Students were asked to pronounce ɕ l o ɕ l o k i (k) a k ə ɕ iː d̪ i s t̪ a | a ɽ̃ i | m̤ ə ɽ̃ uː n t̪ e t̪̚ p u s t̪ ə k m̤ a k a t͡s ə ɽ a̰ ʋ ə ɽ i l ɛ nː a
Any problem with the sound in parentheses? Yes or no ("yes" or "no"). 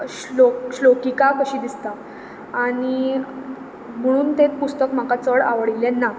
no